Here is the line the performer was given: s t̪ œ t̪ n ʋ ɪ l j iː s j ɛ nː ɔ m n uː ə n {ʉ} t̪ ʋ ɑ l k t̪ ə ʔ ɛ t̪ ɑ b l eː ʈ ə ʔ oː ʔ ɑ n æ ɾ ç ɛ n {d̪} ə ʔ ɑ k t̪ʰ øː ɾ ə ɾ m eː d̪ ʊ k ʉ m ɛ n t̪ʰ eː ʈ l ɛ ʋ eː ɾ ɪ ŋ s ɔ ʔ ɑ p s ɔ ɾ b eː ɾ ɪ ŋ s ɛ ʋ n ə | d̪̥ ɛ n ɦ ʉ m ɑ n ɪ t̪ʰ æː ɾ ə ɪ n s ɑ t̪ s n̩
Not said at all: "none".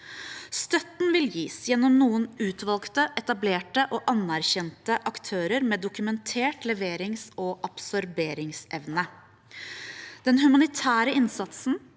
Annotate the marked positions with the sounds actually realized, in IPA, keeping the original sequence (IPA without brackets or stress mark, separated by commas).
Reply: ʉː, t̪